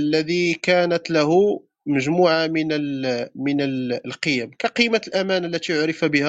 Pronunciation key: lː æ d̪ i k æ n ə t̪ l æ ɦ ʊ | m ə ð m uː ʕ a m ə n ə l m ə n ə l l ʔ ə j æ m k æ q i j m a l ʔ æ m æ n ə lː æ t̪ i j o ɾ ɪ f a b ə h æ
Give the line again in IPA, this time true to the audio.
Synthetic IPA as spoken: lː æ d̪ i k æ n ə t̪ l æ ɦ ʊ | m ə ʒ m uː ʕ a m ə n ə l m ə n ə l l q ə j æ m k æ q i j m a l ʔ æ m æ n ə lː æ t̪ i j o ɾ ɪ f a b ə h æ